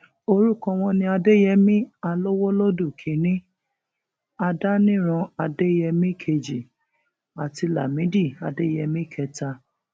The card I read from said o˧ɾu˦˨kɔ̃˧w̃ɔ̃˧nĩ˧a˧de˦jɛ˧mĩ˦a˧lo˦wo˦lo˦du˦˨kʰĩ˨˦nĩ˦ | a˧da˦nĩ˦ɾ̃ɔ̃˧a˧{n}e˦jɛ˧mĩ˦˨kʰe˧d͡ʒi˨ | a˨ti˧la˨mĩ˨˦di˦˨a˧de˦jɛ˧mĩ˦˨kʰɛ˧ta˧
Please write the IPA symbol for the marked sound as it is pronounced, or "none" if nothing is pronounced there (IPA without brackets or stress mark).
d